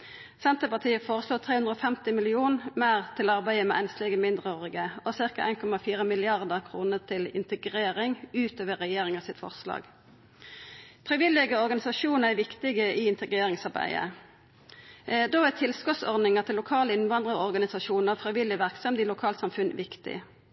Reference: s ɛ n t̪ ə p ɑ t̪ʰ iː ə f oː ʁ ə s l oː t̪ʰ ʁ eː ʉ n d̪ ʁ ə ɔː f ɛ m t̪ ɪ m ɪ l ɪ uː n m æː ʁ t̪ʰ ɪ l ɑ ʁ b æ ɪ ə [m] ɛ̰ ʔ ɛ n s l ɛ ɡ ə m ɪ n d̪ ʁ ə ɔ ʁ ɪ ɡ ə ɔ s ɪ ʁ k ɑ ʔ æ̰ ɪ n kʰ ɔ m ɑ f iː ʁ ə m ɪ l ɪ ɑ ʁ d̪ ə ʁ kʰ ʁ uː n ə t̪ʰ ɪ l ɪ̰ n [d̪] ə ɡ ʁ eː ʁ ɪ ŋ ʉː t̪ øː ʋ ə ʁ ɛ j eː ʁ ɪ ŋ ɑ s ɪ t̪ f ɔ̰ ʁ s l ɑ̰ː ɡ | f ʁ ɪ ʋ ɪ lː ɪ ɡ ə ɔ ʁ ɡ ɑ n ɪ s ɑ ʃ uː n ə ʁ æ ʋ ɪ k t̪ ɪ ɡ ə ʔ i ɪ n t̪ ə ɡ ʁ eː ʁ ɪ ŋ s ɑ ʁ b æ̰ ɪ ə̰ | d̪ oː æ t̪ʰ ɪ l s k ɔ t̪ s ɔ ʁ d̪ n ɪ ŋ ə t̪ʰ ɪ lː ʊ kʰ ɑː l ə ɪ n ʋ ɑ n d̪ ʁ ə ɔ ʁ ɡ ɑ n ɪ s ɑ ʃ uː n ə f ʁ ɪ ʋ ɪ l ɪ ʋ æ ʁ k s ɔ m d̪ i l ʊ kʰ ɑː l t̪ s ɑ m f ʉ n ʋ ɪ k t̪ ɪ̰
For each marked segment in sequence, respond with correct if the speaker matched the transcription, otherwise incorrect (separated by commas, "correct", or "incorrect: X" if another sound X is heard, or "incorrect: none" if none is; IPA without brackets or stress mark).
correct, incorrect: t̪